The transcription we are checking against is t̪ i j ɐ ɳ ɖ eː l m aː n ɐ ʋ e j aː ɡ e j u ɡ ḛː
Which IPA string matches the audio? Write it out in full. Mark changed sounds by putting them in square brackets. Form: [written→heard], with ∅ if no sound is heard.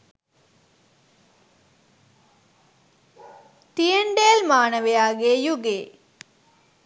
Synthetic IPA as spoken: t̪ i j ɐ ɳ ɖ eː l m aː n ɐ ʋ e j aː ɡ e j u ɡ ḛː